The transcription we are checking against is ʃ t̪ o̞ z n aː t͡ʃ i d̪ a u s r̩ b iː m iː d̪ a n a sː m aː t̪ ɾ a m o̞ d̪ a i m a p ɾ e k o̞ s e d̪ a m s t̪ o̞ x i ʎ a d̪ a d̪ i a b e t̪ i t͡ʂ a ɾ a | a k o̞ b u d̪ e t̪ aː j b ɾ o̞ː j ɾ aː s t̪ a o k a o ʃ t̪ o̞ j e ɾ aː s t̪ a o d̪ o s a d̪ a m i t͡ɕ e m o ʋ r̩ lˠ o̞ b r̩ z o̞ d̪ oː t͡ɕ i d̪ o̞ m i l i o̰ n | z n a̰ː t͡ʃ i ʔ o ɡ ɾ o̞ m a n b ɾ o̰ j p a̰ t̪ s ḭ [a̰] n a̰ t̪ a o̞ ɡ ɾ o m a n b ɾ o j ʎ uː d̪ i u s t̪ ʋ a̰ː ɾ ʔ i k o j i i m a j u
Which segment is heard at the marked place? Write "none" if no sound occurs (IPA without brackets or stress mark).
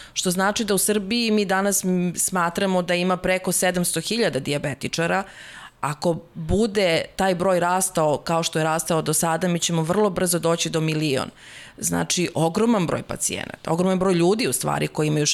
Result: ḛ